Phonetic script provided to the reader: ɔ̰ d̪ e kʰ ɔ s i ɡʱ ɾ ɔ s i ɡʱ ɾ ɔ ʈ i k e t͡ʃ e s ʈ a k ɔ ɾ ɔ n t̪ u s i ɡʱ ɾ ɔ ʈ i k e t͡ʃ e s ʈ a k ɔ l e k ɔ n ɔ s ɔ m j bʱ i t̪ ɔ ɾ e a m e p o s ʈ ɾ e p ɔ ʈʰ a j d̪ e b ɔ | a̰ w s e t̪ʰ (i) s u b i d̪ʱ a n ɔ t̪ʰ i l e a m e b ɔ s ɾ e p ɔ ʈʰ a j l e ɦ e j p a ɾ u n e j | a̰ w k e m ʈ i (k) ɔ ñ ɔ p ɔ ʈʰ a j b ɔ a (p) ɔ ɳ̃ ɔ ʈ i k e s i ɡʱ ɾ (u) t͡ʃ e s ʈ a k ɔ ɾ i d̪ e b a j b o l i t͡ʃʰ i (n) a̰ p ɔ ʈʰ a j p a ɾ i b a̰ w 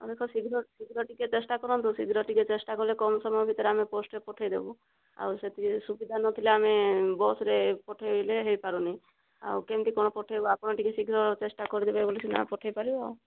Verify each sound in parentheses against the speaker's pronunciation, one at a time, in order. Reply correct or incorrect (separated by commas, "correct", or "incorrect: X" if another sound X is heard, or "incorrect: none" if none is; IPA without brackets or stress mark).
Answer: correct, correct, correct, incorrect: ɔ, correct